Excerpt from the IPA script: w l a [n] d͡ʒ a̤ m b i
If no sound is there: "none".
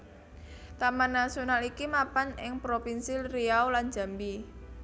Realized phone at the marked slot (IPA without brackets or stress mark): n